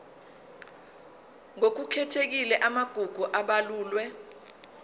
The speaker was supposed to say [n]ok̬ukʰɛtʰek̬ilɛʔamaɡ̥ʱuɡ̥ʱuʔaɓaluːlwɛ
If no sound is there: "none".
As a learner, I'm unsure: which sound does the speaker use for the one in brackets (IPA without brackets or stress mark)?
ŋ